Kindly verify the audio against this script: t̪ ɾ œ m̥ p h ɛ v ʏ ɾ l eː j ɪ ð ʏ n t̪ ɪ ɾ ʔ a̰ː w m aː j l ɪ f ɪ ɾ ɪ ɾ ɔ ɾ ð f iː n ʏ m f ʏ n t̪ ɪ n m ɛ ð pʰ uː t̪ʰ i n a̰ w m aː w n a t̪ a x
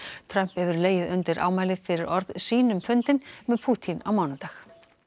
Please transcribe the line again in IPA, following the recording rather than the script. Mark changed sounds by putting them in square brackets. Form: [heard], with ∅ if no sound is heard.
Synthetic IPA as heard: [t̪ʰ] ɾ œ m̥ p h ɛ v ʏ ɾ l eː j ɪ ð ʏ n t̪ ɪ ɾ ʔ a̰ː w m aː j l ɪ f ɪ ɾ ɪ ɾ ɔ ɾ ð [s] iː n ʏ m f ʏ n t̪ ɪ n m ɛ ð pʰ uː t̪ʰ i n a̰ w m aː w n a t̪ a x